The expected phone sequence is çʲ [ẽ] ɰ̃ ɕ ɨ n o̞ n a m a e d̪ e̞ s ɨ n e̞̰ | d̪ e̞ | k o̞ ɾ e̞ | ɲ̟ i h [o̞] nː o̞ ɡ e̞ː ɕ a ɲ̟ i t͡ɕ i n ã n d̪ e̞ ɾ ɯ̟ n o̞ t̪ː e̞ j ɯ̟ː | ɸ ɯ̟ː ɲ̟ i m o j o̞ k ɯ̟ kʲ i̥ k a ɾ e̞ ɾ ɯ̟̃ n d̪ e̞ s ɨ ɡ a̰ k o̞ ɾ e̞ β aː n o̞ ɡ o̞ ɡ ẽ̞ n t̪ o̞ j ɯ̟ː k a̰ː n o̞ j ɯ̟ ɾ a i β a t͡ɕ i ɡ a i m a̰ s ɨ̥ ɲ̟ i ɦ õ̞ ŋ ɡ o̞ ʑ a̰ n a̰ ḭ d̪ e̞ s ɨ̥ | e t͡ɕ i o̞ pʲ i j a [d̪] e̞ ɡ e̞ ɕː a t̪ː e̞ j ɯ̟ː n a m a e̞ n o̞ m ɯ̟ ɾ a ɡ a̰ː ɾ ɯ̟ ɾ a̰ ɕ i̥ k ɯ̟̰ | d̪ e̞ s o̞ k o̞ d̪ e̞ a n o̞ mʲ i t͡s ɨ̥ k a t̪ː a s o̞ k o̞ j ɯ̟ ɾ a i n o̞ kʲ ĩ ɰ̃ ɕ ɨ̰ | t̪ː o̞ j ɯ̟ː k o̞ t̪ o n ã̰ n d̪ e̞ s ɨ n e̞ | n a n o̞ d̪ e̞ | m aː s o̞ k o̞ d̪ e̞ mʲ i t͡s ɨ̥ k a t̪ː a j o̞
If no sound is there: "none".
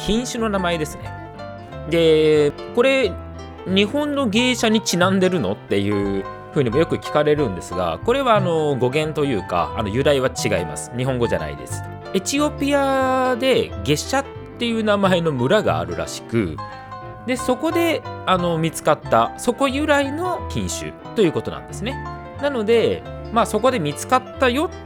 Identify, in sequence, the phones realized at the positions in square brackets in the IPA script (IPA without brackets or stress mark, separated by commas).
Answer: ĩ, õ̞, d̪